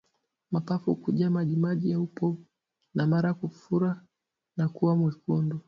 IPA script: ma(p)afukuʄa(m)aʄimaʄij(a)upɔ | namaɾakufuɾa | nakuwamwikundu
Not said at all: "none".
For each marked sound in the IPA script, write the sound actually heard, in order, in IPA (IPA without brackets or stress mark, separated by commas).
p, m, a